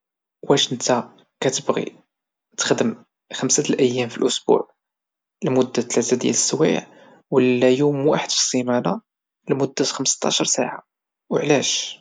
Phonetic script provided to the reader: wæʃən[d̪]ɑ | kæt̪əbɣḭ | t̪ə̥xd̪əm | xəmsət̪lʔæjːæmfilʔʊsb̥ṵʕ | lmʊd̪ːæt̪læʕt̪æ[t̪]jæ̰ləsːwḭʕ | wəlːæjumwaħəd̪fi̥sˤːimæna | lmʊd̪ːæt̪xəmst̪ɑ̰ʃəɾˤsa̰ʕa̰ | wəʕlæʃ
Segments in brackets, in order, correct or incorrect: incorrect, incorrect

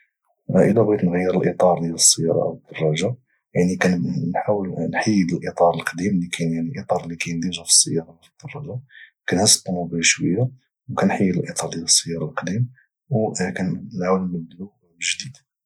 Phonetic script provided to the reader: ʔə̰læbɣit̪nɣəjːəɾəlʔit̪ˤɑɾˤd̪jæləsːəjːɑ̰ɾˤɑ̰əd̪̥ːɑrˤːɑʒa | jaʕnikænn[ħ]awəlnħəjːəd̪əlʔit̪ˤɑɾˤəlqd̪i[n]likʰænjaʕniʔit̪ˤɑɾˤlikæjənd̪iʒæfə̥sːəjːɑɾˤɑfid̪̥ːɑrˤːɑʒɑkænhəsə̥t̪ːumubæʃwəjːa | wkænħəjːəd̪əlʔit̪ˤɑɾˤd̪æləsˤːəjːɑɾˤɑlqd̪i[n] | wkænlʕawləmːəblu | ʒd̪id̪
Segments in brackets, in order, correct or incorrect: correct, incorrect, incorrect

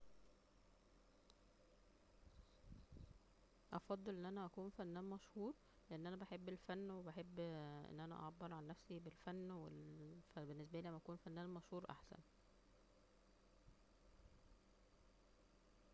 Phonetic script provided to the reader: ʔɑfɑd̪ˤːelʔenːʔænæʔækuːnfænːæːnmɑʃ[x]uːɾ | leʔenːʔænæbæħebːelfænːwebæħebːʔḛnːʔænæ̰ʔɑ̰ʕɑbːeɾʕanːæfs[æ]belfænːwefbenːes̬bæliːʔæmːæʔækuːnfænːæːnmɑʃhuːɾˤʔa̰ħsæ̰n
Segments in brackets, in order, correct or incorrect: incorrect, incorrect

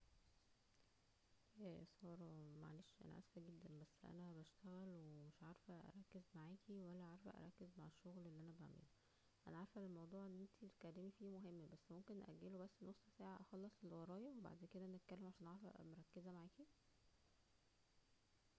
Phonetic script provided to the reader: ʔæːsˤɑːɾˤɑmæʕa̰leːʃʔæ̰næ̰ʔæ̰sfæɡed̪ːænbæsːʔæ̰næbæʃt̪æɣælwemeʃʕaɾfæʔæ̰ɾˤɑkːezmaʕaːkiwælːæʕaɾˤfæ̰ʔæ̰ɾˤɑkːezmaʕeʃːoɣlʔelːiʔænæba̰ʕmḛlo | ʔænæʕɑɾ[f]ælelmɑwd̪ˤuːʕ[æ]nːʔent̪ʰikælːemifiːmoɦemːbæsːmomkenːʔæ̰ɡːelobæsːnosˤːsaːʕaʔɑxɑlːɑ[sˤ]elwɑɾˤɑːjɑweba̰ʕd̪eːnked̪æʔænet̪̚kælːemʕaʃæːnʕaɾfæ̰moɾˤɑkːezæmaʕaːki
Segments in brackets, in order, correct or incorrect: correct, incorrect, correct

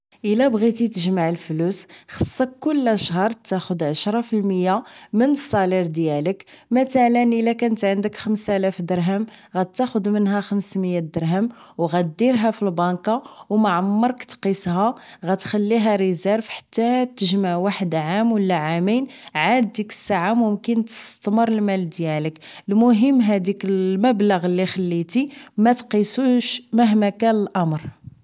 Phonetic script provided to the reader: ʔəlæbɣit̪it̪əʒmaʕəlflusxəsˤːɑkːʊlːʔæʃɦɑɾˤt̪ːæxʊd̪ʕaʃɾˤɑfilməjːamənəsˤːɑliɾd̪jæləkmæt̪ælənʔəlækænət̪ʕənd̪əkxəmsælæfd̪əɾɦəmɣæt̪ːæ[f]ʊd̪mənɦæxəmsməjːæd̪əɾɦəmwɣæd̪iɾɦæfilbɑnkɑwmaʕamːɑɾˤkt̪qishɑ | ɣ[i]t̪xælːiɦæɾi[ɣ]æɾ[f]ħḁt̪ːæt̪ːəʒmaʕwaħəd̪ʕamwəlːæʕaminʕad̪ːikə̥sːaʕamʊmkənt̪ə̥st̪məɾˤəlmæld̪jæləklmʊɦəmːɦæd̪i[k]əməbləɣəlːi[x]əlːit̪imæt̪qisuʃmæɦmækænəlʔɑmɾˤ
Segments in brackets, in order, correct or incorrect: incorrect, incorrect, incorrect, correct, correct, correct

